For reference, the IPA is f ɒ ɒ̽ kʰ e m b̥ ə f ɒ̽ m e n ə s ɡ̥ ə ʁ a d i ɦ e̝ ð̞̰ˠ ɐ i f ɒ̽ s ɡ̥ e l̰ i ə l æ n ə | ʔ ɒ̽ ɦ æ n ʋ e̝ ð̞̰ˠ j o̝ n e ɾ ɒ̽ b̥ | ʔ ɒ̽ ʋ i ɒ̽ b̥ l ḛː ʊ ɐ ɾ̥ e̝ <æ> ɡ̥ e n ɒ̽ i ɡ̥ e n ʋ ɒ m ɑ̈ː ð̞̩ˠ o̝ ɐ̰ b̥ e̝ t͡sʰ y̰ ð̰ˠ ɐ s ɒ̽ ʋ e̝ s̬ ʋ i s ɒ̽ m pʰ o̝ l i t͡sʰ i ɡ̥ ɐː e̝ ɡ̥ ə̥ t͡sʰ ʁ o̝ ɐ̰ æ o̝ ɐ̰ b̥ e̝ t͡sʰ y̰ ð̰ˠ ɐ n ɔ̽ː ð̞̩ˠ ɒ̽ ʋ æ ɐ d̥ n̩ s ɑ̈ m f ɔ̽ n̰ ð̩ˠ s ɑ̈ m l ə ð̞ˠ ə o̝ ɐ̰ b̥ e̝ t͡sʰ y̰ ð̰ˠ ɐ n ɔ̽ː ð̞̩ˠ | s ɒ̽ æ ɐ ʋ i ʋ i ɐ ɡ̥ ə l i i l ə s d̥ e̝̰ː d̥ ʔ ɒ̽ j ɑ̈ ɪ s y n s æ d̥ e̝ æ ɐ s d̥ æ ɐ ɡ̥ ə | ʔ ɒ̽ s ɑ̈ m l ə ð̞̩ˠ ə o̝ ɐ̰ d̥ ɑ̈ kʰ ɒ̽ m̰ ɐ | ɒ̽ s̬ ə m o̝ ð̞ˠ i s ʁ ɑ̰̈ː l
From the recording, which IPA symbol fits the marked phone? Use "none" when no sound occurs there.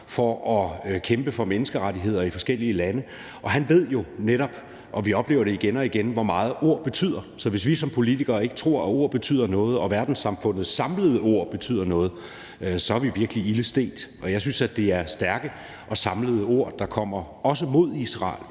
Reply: i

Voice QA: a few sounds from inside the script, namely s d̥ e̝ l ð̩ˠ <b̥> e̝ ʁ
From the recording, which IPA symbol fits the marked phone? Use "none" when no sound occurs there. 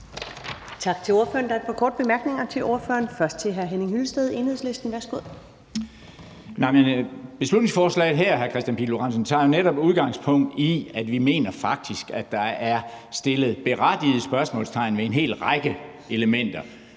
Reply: b̥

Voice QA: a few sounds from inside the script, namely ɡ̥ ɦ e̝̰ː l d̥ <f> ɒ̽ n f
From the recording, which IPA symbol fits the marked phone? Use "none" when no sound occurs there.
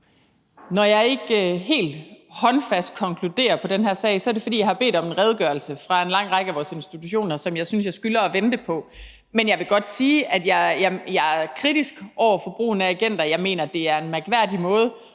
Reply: h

